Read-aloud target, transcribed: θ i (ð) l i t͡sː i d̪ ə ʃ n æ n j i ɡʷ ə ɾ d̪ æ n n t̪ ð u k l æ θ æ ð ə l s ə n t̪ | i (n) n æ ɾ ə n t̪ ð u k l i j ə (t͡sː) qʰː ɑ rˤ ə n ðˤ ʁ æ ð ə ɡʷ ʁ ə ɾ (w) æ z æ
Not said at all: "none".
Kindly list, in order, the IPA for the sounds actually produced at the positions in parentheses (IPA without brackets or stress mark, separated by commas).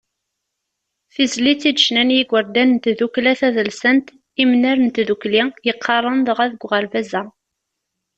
z, m, none, v